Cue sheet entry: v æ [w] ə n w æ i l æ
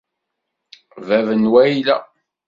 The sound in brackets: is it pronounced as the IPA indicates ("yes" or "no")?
no